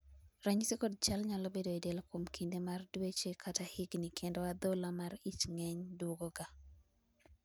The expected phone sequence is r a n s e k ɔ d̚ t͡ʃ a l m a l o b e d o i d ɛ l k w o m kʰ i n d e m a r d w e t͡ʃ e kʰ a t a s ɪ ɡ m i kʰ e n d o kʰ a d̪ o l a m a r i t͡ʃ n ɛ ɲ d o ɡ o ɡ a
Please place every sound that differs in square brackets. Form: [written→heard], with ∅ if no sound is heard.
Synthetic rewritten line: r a [n→ɲ] s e k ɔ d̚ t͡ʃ a l [m→ɲ] a l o b e d o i d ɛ l k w o m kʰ i n d e m a r d w e t͡ʃ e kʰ a t a [s→h] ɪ ɡ [m→n] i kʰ e n d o [kʰ→∅] a d̪ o l a m a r i t͡ʃ [n→ŋ] ɛ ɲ d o ɡ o ɡ a

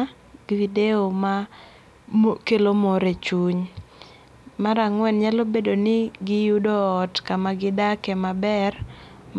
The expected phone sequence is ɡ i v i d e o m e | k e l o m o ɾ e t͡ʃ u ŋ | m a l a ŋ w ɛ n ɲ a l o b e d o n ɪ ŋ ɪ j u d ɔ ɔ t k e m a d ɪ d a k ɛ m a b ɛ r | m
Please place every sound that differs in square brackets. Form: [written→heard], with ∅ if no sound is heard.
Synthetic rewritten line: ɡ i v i d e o m [e→a] | k e l o m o ɾ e t͡ʃ u [ŋ→ɲ] | m a [l→ɾ] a ŋ w ɛ n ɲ a l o b e d o n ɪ [ŋ→ɡ] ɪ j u d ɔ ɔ t k [e→a] m a [d→ɡ] ɪ d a k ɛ m a b ɛ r | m

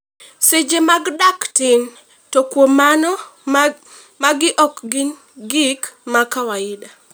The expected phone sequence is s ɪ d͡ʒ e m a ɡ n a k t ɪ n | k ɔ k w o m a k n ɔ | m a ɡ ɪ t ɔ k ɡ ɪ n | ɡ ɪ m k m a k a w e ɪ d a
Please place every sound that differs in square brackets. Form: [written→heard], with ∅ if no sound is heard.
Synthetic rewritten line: s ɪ d͡ʒ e m a ɡ [n→d] a k t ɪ n | [k→t] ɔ k w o m a [k→∅] n ɔ | m a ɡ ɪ [t→ʔ] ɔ k ɡ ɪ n | ɡ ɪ [m→∅] k m a k a w [e→a] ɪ d a

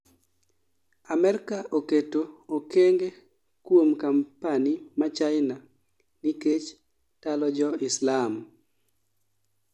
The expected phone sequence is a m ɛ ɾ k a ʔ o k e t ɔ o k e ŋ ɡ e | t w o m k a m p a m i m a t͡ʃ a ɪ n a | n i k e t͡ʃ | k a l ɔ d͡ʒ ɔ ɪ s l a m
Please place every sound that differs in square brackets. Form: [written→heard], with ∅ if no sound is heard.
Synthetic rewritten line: a m ɛ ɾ k a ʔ o k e t [ɔ→o] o k e ŋ ɡ e | [t→k] w o m k a m p a [m→n] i m a t͡ʃ a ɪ n a | n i k e t͡ʃ | [k→t] a l ɔ d͡ʒ ɔ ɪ s l a m

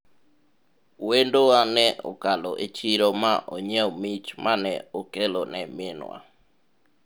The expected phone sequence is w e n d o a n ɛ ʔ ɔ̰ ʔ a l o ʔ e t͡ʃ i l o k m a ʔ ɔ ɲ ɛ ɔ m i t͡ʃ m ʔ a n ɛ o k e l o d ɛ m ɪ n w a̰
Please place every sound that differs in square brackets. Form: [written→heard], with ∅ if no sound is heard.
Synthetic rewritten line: w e n d o a n ɛ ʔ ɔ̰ [ʔ→k] a l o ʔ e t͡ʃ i [l→ɾ] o [k→∅] m a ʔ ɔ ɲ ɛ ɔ m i t͡ʃ m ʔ a n ɛ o k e l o [d→n] ɛ m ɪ n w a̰

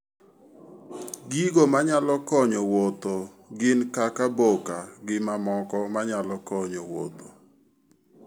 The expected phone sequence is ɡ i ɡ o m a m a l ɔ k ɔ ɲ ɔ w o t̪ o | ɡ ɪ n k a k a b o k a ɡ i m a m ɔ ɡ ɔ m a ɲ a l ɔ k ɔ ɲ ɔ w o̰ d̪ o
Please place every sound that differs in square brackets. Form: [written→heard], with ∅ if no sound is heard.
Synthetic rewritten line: ɡ i ɡ o m a [m→ɲ] a l ɔ k ɔ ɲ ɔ w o t̪ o | ɡ ɪ n k a k a b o k a ɡ [i→ɪ] m a m ɔ [ɡ→k] ɔ m a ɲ a l ɔ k ɔ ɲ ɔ w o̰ [d̪→t̪] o

